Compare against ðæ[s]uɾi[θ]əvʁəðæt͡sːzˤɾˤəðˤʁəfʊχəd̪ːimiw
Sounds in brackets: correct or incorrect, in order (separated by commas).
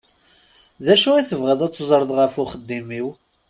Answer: incorrect, correct